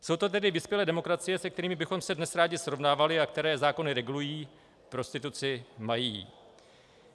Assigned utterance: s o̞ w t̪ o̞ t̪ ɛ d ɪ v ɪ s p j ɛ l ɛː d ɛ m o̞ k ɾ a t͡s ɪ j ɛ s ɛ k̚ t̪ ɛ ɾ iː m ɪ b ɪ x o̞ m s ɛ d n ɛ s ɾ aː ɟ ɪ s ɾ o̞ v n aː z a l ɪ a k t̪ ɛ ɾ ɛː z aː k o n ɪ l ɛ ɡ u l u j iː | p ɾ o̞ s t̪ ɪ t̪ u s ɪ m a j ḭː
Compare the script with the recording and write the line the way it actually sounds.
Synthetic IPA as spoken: s o̞ w t̪ o̞ t̪ ɛ d ɪ v ɪ s p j ɛ l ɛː d ɛ m o̞ k ɾ a t͡s ɪ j ɛ s ɛ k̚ t̪ ɛ ɾ iː m ɪ b ɪ x o̞ m s ɛ d n ɛ s ɾ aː ɟ ɪ s ɾ o̞ v n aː v a l ɪ a k t̪ ɛ ɾ ɛː z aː k o n ɪ ɾ ɛ ɡ u l u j iː | p ɾ o̞ s t̪ ɪ t̪ u t͡s ɪ m a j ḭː